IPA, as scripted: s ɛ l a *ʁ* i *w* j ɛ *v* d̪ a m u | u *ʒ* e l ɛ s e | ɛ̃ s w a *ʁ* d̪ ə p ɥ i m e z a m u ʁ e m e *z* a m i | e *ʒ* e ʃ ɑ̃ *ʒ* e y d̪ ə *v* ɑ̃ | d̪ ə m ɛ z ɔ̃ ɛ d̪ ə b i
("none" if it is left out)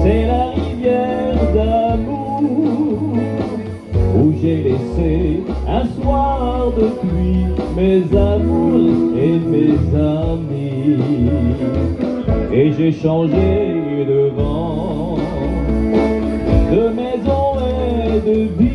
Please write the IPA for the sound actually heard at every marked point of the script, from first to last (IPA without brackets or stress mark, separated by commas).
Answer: ʁ, v, ʁ, ʒ, ʁ, z, ʒ, ʒ, v